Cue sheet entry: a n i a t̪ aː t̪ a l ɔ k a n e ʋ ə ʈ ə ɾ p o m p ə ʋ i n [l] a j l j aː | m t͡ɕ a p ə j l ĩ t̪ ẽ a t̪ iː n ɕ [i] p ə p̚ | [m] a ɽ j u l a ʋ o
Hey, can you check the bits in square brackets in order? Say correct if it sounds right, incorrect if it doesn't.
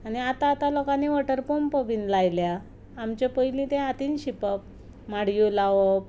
correct, correct, correct

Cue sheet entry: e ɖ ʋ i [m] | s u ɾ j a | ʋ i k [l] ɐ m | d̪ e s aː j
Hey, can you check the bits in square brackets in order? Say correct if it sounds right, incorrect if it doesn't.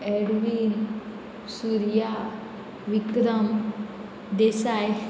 incorrect: n, incorrect: ɾ

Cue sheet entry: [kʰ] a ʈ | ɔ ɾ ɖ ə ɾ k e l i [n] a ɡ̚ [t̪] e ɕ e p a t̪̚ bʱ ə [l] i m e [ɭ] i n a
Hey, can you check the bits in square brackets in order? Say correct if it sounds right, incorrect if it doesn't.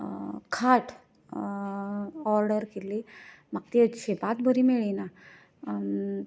correct, incorrect: m, correct, incorrect: ɾ, correct

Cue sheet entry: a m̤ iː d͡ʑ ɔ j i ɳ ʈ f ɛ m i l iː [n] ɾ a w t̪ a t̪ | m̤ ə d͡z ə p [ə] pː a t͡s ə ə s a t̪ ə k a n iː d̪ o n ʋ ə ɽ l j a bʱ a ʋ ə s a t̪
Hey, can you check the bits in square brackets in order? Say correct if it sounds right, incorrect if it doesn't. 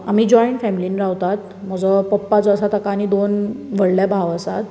correct, correct

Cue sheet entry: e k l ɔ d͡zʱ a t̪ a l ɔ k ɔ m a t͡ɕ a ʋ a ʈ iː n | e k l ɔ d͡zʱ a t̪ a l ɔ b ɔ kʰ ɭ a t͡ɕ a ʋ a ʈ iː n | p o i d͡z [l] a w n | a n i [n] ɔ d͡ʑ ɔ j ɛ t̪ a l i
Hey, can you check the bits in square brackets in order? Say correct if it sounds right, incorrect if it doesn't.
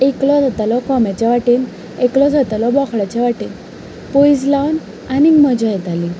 correct, incorrect: m

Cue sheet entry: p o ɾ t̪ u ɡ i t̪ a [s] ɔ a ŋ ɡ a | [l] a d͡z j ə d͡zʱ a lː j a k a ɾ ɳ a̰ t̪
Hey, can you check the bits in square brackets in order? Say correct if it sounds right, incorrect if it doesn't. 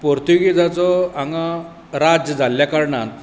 incorrect: t͡s, incorrect: ɾ

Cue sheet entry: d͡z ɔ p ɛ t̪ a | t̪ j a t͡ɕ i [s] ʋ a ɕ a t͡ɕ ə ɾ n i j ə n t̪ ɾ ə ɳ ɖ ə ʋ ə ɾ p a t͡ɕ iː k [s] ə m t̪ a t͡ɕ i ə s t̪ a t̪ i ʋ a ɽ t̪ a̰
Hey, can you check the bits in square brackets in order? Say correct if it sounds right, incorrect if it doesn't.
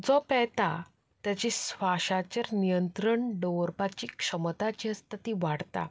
correct, incorrect: ʂ

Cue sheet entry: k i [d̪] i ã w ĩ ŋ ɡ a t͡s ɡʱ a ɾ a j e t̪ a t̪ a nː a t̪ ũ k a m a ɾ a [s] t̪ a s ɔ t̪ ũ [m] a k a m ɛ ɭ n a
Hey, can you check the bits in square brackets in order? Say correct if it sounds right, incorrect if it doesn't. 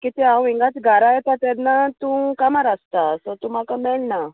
incorrect: t̪, correct, correct

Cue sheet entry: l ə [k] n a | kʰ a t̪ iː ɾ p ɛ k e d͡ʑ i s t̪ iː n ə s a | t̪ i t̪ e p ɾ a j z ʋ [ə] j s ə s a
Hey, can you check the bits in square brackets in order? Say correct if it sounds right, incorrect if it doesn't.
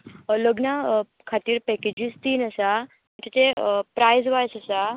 incorrect: ɡ, incorrect: a

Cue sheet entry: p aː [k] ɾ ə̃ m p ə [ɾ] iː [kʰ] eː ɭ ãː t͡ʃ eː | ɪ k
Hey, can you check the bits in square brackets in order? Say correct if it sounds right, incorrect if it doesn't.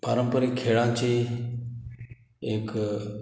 incorrect: none, correct, correct

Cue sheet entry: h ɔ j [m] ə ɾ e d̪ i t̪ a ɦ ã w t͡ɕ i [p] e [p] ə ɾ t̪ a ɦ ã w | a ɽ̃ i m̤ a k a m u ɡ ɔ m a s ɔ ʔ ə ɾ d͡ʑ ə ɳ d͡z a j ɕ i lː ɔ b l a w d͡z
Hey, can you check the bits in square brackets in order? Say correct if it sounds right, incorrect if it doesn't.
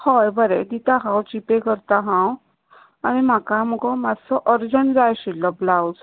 incorrect: b, correct, incorrect: k

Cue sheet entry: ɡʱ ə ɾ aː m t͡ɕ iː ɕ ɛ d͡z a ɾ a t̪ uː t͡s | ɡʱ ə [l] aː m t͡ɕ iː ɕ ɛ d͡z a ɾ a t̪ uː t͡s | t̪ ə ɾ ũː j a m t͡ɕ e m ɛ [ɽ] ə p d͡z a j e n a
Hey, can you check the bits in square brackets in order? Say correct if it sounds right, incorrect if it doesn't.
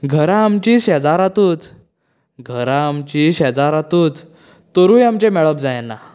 incorrect: ɾ, incorrect: ɭ

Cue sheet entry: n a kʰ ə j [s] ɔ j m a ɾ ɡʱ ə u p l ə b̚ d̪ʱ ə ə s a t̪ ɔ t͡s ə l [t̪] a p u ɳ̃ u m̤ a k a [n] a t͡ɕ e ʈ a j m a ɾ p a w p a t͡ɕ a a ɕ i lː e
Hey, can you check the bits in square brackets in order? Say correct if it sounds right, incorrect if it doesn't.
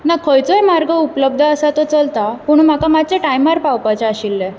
incorrect: t͡s, correct, incorrect: m

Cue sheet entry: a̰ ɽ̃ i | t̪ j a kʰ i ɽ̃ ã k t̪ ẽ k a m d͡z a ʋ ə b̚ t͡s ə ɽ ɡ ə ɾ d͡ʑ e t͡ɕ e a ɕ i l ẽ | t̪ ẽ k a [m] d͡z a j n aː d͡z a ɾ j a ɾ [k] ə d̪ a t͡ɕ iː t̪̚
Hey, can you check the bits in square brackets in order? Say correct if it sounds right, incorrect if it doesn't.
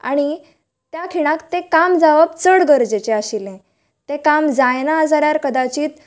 correct, correct

